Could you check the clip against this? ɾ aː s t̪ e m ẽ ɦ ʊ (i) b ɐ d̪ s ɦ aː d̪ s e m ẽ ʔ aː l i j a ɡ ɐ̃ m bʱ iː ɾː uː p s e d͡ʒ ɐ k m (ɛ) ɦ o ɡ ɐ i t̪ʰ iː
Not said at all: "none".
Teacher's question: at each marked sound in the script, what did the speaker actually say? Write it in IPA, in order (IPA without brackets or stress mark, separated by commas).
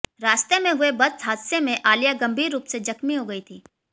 e, i